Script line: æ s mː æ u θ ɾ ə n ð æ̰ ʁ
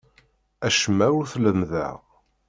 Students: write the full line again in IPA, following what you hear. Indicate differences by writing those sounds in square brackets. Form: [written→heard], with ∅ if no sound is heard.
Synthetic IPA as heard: æ [s→ʃ] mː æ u θ [ɾ→l] ə [n→m] ð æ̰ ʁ